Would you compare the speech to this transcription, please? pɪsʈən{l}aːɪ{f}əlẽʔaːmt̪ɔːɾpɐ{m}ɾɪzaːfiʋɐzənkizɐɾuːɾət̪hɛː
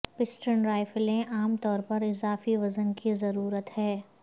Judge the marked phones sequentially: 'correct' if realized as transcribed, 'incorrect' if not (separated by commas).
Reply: incorrect, correct, incorrect